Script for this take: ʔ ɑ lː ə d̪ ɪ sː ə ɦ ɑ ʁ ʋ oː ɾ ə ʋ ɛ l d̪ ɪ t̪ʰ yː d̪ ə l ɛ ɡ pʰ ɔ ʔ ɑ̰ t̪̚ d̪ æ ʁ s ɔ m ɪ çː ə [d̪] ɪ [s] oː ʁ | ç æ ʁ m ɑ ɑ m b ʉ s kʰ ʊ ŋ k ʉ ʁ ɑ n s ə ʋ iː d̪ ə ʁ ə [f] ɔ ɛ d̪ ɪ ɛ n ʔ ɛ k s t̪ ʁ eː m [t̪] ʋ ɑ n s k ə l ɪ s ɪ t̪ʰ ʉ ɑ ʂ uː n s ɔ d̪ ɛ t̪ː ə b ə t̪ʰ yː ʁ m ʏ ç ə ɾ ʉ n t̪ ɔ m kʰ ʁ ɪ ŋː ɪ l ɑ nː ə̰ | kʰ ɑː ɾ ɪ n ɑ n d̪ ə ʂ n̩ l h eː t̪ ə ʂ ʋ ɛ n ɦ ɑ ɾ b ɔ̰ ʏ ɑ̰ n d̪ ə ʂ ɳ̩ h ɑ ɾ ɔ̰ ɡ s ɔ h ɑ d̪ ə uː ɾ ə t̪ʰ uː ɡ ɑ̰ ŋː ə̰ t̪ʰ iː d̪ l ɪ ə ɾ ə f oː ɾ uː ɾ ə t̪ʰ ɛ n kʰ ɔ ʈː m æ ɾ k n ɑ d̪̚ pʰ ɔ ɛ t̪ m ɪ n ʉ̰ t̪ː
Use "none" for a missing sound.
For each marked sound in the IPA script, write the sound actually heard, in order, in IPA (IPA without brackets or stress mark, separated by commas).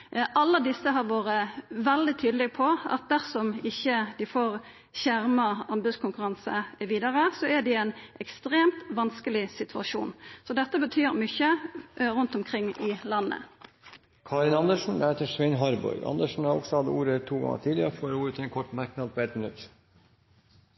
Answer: d̪, f, s, t̪